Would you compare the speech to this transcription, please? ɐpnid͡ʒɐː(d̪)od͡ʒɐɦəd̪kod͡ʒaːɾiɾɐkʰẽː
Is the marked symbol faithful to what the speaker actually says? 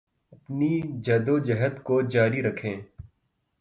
yes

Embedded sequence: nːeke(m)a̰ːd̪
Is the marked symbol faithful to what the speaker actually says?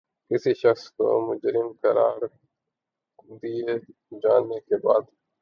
no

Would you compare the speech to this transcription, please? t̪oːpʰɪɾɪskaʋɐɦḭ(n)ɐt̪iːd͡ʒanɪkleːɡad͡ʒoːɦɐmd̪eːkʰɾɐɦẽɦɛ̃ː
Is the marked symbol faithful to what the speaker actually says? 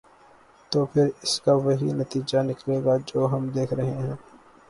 yes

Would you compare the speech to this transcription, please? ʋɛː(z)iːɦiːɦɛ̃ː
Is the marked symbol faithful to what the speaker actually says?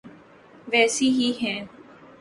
no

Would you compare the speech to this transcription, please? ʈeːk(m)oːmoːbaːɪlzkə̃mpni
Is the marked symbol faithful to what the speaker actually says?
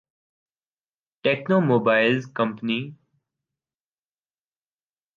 no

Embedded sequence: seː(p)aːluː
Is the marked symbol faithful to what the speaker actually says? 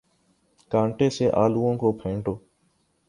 no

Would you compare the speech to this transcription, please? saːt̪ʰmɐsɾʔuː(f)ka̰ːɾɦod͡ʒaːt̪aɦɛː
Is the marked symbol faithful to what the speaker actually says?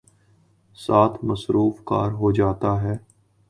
yes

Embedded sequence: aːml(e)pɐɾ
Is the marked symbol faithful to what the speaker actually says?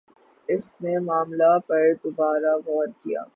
no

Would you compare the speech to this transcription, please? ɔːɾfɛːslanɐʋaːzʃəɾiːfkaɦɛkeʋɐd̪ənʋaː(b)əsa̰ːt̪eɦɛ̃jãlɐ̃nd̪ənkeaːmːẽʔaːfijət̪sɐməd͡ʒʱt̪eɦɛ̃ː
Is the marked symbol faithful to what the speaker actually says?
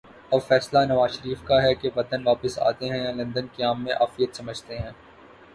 no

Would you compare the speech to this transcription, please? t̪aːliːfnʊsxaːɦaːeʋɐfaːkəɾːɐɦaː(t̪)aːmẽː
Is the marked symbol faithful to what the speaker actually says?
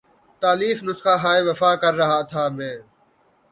no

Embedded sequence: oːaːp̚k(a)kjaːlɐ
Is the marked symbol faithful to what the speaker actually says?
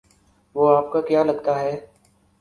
yes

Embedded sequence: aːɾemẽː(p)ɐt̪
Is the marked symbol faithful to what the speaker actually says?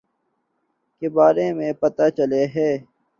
yes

